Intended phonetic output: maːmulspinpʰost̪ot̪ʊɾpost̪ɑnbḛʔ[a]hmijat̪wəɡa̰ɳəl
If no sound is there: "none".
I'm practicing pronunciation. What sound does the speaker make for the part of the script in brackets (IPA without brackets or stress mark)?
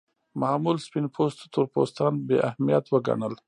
a